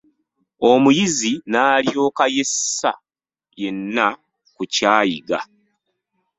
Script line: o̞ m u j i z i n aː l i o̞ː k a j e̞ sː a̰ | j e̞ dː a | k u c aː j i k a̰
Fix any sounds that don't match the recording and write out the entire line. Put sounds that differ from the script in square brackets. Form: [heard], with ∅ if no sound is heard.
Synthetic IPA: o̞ m u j i z i n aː l [j] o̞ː k a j e̞ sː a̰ | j e̞ [nː] a | k u c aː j i [ɡ] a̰